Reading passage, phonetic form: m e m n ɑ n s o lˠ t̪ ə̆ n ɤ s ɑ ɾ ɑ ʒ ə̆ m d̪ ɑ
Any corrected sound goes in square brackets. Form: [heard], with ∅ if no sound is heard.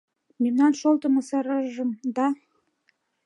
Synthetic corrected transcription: m e m n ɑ n [ʃ] o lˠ t̪ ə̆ [m] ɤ s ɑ ɾ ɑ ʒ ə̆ m d̪ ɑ